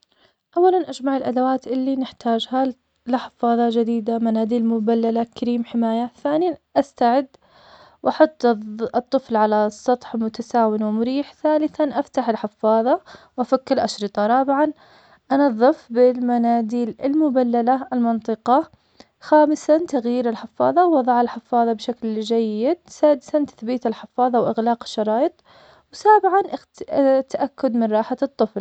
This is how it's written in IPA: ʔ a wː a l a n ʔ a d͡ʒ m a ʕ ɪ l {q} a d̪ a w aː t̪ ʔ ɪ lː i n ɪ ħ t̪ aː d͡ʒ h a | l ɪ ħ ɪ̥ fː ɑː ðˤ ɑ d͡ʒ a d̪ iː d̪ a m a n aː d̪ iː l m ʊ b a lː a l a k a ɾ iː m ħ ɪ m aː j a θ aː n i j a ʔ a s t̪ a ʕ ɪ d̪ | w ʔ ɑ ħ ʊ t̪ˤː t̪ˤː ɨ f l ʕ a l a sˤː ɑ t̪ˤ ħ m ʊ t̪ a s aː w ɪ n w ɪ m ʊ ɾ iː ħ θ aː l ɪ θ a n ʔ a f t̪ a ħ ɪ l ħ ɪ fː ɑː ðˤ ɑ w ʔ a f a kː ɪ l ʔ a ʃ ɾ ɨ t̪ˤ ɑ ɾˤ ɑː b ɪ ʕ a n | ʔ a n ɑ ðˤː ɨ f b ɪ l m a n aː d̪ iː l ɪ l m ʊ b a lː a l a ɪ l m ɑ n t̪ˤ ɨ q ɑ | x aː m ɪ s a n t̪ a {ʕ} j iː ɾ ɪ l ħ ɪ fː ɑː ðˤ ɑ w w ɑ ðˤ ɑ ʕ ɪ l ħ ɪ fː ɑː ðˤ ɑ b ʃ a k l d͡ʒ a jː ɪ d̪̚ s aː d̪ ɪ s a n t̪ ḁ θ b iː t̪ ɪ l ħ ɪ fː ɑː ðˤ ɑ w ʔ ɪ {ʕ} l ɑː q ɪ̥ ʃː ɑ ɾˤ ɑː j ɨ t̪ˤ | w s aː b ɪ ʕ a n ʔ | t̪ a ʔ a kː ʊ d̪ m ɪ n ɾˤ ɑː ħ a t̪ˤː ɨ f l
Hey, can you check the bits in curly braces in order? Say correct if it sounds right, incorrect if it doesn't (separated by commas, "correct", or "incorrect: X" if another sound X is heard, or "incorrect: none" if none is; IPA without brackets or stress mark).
incorrect: ʔ, incorrect: ɣ, incorrect: ɣ